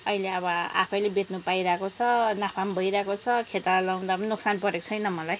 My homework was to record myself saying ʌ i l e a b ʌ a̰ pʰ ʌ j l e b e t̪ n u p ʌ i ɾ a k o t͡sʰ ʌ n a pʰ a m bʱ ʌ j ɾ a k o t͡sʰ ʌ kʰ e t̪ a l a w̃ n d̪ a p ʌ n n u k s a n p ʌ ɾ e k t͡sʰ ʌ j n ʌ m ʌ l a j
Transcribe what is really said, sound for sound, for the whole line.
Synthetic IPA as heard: ʌ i l e ʌ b ʌ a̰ pʰ ʌ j l e b e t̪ n u p a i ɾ a k o t͡sʰ ʌ n a pʰ a m bʱ ʌ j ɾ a k o t͡sʰ ʌ kʰ e t̪ a l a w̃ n d̪ a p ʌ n n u k s a n p ʌ ɾ e k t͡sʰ ʌ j n ʌ m ʌ l a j

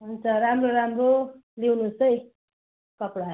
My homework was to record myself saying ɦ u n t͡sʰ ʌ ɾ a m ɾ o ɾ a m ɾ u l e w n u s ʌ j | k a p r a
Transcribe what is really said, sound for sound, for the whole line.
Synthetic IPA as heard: ɦ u n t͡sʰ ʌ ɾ a m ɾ o ɾ a m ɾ o l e w n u s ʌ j | k ʌ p ɽ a

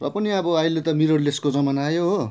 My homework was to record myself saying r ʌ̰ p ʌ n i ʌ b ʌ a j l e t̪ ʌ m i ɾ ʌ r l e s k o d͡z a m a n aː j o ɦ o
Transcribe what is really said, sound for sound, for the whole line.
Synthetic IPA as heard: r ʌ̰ p ʌ n i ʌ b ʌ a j l e t̪ ʌ m i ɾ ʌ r l e s k o d͡z ʌ m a n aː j o ɦ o

